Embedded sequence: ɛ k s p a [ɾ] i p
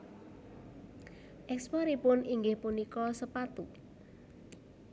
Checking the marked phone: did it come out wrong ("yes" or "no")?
no